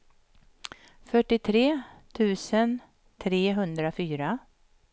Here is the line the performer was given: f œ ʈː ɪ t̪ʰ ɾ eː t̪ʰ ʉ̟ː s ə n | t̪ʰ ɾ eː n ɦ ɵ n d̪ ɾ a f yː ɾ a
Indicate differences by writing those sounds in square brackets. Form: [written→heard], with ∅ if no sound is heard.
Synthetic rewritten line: f œ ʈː ɪ t̪ʰ ɾ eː t̪ʰ ʉ̟ː s ə n | t̪ʰ ɾ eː [n→∅] ɦ ɵ n d̪ ɾ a f yː ɾ a